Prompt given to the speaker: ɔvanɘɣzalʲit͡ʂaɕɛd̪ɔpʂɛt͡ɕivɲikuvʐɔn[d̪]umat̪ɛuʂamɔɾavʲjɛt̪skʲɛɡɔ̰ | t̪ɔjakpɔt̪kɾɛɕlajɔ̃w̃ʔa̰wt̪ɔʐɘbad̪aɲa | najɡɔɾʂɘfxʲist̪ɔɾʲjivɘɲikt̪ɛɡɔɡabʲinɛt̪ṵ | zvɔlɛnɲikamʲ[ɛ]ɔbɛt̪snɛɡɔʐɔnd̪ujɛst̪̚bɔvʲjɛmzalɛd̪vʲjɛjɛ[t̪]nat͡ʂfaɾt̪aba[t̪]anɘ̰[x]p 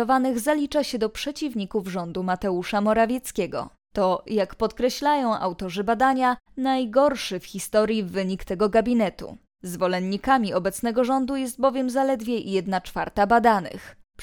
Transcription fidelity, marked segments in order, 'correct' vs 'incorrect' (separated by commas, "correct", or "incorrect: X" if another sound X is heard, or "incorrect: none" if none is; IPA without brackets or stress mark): correct, incorrect: i, incorrect: d̪, incorrect: d̪, correct